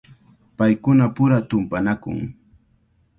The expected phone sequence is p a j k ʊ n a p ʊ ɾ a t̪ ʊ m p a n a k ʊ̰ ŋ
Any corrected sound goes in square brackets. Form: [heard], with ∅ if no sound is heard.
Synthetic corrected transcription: p a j k ʊ n a p ʊ ɾ a t̪ ʊ m p a n a k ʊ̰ ŋ